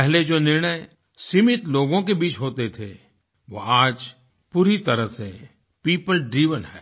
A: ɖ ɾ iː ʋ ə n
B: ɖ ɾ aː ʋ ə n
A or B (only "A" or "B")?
A